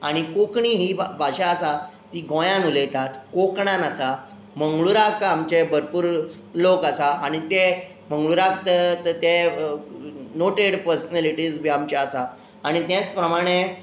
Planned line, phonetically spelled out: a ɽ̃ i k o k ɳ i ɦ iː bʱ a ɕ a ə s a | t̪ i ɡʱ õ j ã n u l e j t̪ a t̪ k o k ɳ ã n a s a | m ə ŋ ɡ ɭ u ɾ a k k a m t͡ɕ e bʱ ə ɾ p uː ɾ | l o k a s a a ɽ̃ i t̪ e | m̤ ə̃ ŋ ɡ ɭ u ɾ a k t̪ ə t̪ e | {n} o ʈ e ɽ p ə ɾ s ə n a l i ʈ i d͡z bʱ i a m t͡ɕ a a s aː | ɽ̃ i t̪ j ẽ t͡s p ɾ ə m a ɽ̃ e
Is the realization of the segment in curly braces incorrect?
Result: no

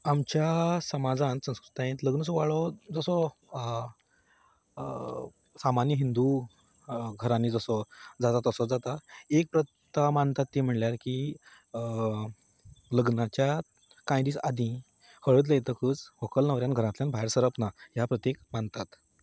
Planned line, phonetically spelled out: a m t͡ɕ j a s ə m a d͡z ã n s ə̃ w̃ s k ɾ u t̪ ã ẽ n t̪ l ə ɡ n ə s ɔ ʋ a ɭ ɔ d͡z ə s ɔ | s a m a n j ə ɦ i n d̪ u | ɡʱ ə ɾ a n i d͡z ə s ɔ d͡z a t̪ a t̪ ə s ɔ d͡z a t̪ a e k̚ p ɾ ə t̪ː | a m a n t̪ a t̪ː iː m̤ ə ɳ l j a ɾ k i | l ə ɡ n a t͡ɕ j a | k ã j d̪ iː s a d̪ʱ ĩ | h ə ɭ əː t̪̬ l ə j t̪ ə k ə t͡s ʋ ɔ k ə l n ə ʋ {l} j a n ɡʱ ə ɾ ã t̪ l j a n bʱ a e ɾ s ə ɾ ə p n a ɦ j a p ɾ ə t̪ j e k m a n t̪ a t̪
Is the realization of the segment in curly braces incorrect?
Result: yes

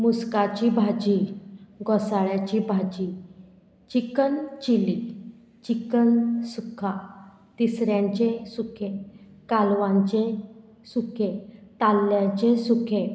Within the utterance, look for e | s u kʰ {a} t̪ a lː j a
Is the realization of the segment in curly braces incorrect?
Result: yes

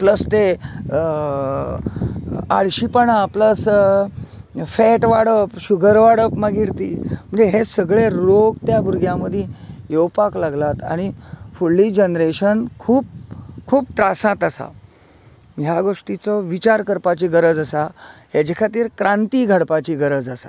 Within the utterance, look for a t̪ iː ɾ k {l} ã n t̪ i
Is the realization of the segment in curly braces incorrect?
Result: yes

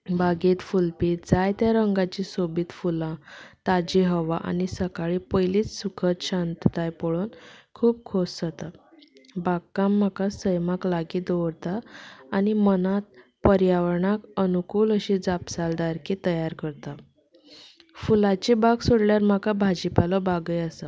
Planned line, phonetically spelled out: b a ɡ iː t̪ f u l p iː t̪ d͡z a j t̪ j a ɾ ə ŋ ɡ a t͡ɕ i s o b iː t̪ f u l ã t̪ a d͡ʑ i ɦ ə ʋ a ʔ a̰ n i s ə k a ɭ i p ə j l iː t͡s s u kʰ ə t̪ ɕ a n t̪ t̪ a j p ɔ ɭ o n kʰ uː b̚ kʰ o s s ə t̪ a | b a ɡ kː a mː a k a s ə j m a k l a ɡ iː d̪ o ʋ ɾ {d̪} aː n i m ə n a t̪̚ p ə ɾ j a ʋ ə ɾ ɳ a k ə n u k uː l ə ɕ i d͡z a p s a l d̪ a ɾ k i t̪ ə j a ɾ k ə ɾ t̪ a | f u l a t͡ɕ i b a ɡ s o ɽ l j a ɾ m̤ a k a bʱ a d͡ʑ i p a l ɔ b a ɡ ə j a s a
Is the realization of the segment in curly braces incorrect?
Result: yes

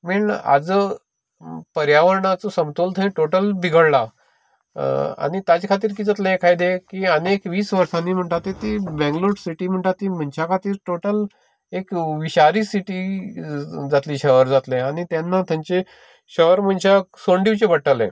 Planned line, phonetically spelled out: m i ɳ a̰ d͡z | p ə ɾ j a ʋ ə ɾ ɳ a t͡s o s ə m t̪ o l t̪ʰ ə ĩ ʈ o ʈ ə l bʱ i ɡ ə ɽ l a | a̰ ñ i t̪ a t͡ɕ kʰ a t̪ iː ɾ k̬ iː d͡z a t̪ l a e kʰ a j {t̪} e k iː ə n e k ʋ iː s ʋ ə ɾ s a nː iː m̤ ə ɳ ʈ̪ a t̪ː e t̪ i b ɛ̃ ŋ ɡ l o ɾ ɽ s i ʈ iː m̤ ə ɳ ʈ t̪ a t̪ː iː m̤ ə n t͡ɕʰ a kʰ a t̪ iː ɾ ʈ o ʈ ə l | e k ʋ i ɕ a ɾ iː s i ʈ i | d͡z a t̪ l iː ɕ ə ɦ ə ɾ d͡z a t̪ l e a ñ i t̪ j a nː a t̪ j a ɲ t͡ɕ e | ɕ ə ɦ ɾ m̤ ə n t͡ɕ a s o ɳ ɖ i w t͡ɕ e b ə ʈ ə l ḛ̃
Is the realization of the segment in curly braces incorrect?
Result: yes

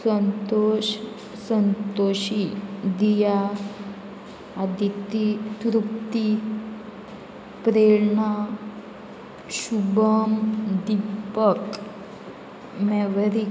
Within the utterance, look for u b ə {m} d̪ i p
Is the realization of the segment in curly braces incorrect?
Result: no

